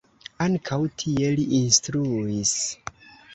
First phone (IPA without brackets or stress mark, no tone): a